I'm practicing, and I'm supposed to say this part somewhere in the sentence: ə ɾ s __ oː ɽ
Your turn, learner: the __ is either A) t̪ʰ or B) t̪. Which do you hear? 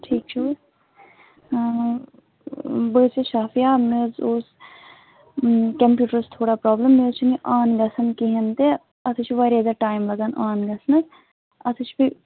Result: A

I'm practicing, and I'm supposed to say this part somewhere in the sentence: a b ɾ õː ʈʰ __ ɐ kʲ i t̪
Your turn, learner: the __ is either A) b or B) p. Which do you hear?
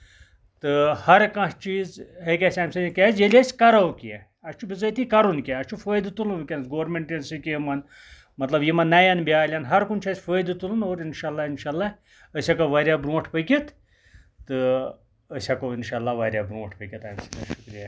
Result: B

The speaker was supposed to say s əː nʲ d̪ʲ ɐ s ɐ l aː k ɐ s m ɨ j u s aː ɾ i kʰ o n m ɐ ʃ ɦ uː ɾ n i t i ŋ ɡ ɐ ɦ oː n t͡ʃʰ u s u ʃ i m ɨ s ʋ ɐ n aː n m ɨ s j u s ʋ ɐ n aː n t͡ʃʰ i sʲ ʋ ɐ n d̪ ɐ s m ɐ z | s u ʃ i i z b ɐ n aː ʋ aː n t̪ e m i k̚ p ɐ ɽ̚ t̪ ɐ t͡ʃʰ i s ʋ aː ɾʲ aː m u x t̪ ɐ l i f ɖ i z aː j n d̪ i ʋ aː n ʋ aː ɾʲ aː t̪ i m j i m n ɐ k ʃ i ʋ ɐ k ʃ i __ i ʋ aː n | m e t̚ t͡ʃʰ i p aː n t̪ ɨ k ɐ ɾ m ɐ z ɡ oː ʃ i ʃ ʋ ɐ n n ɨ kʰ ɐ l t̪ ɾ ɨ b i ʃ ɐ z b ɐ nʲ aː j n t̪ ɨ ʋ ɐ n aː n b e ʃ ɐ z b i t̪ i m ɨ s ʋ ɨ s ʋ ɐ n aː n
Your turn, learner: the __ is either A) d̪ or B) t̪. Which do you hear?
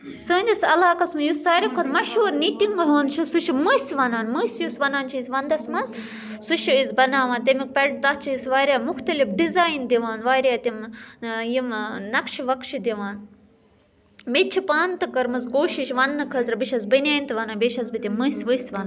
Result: A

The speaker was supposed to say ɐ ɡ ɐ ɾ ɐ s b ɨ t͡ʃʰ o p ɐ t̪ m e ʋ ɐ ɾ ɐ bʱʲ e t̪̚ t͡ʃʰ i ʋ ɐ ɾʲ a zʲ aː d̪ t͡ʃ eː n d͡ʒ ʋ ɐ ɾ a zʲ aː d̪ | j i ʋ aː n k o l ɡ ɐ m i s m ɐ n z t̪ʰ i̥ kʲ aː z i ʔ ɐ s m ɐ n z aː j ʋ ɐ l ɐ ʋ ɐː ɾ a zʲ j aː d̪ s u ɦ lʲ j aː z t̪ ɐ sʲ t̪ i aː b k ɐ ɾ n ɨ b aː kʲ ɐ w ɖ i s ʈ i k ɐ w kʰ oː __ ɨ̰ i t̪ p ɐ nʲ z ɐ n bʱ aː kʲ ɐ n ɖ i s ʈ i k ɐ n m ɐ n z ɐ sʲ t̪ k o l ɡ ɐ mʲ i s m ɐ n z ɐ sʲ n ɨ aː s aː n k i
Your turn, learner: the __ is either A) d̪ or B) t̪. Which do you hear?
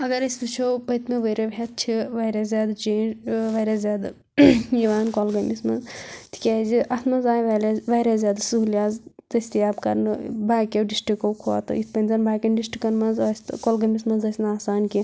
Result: B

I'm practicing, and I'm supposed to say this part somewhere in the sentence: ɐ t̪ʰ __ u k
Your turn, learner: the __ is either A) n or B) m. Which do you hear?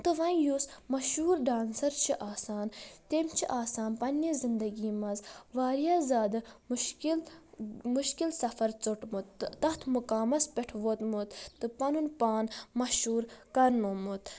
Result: B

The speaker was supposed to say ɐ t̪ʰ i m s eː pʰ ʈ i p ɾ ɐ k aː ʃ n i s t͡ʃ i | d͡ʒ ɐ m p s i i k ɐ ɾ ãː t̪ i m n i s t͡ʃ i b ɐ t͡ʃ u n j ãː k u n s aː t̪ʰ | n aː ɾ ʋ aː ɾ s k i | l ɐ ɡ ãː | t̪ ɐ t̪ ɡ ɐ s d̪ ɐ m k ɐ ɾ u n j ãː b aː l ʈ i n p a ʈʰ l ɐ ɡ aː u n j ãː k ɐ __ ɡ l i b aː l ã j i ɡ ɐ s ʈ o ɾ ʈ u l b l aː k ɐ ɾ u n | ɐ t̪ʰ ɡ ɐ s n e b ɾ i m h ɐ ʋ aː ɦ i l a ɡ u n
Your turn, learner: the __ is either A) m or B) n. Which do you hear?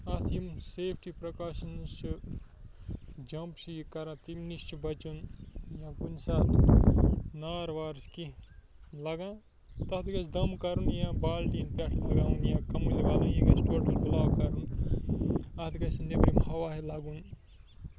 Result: A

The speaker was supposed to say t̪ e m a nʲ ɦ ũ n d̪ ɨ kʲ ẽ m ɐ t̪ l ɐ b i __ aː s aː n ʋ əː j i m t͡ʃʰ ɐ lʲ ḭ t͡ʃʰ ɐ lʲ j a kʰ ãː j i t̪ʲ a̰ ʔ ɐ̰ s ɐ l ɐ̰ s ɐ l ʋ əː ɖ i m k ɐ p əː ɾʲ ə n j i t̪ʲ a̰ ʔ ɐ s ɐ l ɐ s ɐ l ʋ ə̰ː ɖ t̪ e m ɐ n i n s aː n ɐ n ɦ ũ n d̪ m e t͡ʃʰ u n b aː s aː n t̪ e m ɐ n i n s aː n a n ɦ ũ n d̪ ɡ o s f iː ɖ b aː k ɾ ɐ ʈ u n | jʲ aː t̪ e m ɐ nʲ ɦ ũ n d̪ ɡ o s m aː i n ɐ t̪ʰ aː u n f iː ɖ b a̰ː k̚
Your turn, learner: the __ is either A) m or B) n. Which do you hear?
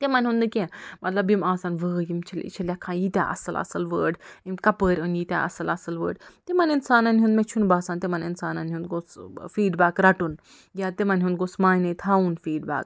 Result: A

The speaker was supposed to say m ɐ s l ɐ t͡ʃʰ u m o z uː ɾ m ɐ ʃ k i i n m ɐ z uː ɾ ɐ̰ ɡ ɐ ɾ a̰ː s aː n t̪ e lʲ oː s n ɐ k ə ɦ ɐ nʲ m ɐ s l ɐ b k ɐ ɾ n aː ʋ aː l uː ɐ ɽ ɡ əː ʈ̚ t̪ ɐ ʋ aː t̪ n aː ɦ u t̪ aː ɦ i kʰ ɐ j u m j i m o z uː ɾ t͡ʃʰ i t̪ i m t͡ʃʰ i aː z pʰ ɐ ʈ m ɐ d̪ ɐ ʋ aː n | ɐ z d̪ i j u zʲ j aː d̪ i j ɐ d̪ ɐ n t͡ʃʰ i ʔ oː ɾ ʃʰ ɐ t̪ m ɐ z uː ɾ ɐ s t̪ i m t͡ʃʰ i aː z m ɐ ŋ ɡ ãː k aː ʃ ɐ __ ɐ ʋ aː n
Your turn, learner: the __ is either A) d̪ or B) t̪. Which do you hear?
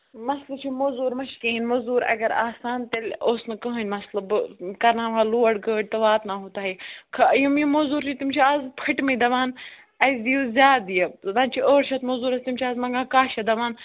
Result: A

